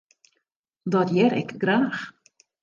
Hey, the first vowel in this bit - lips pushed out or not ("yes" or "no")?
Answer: yes